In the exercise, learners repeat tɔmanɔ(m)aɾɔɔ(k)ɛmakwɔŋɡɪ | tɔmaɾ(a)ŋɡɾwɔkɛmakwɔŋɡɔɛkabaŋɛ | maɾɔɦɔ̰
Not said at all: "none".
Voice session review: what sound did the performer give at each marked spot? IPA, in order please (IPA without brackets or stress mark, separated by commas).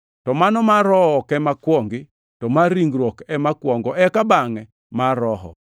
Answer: m, k, i